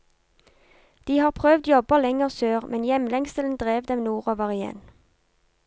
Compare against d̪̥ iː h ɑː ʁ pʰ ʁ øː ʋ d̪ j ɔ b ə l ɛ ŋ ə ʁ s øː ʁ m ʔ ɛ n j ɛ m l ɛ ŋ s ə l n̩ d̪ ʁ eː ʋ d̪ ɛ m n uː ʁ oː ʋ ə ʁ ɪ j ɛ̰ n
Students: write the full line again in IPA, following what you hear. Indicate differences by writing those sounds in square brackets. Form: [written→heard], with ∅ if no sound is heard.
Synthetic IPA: d̪̥ iː h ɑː ʁ pʰ ʁ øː ʋ d̪ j ɔ b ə l ɛ ŋ ə ʁ s øː ʁ m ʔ ɛ n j ɛ m l ɛ ŋ s ə l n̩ d̪ ʁ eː ʋ d̪ ɛ m n uː ʁ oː ʋ ə ʁ ɪ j ɛ̰ n